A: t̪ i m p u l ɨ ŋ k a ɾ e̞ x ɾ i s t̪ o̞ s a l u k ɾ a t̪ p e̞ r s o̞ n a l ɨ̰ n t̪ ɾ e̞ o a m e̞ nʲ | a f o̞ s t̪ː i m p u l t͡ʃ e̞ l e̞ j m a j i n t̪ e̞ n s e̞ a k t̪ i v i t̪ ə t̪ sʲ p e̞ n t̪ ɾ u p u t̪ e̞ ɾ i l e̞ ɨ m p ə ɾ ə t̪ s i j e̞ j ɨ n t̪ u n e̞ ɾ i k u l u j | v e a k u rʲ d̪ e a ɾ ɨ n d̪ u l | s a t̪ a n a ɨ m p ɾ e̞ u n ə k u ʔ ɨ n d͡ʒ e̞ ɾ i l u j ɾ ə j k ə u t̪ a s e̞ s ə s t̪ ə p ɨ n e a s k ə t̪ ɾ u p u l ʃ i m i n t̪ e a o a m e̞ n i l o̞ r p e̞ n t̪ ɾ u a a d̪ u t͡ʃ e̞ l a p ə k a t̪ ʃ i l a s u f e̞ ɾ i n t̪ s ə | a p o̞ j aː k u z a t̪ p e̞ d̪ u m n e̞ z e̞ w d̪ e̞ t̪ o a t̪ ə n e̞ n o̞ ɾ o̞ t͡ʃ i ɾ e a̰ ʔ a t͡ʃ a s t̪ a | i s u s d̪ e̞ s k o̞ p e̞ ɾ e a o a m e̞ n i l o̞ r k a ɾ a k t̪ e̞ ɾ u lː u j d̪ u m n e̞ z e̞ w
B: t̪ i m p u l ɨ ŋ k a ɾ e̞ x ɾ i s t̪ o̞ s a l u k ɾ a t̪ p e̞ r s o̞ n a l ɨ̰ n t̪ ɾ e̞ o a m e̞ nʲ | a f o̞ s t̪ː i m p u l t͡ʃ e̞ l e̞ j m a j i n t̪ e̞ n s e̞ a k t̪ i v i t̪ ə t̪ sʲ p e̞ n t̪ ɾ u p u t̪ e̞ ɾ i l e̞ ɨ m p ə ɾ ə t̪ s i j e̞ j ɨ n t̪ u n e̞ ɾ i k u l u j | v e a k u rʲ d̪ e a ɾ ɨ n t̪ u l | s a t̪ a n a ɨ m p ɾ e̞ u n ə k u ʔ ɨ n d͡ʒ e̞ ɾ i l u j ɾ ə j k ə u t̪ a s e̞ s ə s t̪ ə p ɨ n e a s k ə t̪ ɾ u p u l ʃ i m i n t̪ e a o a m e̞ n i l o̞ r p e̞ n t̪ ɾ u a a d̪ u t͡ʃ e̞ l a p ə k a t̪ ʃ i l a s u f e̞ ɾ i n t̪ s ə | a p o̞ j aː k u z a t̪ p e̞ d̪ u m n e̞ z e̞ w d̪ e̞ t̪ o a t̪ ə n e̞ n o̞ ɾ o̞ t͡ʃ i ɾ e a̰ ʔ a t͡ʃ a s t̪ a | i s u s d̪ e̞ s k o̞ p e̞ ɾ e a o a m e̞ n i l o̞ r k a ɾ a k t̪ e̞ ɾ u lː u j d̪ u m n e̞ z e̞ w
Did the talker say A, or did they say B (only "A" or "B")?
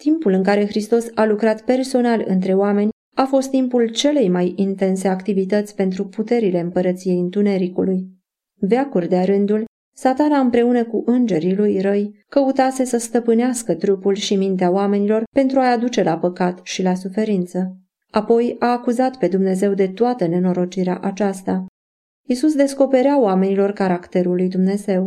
A